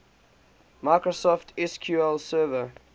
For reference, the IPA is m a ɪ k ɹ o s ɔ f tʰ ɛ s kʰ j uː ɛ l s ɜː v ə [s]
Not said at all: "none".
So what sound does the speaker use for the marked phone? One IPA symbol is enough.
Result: none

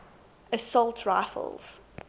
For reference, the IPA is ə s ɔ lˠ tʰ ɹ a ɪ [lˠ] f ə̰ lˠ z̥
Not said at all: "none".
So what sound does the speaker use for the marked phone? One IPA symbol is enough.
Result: none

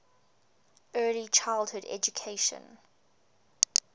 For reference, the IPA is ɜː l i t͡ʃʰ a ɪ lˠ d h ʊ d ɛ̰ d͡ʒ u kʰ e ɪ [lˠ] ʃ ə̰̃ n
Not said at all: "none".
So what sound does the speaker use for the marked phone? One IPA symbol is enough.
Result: none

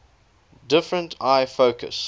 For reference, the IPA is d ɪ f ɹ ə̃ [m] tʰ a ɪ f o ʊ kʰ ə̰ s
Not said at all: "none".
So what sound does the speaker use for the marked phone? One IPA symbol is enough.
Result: n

